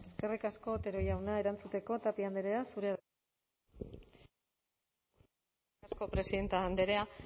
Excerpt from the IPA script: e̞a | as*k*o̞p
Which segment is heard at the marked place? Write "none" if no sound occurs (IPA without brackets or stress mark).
k